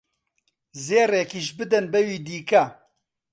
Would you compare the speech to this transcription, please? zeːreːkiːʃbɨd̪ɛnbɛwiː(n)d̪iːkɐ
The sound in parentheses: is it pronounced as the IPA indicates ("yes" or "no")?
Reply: no